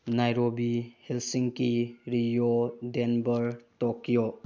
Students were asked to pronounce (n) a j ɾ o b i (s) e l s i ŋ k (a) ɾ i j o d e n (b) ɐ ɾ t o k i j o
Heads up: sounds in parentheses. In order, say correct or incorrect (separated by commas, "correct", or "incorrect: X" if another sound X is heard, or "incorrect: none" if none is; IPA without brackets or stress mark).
correct, incorrect: h, incorrect: i, correct